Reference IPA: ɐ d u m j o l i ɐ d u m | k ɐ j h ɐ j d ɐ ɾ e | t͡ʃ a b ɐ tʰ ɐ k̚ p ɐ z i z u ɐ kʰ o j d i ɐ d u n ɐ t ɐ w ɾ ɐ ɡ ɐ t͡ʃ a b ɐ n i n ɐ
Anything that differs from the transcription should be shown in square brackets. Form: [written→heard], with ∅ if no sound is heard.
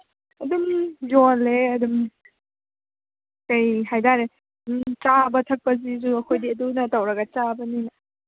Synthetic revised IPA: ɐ d u m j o l [i→e] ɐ d u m | k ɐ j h [ɐ→a] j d [ɐ→a] ɾ e | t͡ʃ a b ɐ tʰ ɐ k̚ p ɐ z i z u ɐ kʰ o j d i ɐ d u n ɐ t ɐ w ɾ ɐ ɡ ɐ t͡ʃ a b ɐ n i n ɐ